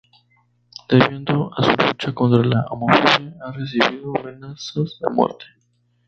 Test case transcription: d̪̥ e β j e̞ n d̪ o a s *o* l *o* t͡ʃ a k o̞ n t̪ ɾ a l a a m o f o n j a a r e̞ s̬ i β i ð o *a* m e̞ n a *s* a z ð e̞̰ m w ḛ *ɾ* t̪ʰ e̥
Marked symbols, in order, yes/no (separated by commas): no, no, yes, yes, yes